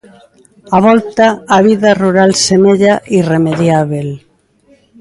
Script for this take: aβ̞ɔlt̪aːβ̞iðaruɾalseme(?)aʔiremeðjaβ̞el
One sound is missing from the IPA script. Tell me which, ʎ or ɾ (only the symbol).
ʎ